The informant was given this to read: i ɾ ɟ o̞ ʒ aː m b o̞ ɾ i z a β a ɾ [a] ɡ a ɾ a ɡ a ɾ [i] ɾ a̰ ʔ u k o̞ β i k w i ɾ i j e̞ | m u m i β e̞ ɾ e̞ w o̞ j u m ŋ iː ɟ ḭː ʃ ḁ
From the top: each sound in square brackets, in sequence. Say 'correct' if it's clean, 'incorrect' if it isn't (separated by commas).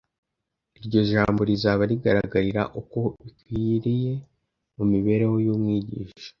incorrect, correct